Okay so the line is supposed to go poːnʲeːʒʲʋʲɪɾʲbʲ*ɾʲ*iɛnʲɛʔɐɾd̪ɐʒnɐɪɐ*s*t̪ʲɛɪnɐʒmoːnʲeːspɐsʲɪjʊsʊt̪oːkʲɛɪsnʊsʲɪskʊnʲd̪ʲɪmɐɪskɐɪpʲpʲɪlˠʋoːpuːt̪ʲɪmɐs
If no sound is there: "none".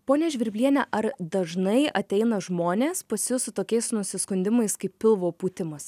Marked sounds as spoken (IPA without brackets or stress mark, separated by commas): lʲ, none